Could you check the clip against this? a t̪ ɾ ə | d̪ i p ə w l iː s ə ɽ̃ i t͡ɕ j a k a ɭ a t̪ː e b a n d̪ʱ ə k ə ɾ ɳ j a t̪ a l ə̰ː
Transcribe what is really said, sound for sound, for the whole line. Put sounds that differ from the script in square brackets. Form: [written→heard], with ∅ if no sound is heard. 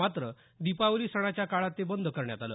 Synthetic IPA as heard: a t̪ ɾ ə | d̪ i p [ə→a] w l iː s ə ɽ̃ [i→a] t͡ɕ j a k a ɭ a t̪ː e b [a→ə] n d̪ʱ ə k ə ɾ ɳ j a t̪ a l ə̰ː